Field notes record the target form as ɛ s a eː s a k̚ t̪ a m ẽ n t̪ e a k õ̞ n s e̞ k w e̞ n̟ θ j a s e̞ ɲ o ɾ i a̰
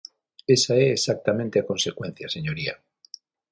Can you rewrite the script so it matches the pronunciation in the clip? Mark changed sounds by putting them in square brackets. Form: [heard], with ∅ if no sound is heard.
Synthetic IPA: [e] s a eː s a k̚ t̪ a m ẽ n t̪ e a k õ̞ n s e̞ k w e̞ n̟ θ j a s e̞ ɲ o ɾ i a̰